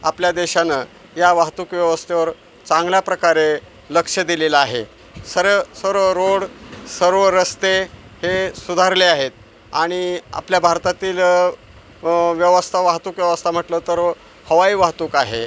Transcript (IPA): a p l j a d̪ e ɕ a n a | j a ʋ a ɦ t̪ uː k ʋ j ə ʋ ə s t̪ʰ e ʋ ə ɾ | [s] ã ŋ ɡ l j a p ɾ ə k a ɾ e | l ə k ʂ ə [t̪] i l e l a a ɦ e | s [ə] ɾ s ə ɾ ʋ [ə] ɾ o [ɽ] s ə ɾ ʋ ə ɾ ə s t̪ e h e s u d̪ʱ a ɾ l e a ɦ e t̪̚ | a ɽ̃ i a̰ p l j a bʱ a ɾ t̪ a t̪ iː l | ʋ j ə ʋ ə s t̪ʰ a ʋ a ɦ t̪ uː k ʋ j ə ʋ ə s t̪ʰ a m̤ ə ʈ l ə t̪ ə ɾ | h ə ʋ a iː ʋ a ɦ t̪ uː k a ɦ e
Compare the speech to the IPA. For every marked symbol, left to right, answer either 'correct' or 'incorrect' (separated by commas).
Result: incorrect, incorrect, correct, correct, correct